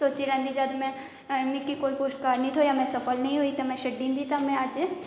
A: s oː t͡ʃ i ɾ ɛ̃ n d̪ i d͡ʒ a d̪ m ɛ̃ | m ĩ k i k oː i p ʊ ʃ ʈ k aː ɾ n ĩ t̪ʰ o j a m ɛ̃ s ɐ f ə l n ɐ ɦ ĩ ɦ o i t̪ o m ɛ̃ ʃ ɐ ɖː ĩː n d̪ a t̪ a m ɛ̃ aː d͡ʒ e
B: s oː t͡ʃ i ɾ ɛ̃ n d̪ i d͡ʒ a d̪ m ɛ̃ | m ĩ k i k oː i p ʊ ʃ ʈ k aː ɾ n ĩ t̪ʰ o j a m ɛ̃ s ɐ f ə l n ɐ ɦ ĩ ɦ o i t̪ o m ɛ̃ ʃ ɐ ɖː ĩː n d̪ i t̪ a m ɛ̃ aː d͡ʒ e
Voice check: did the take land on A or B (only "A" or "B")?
B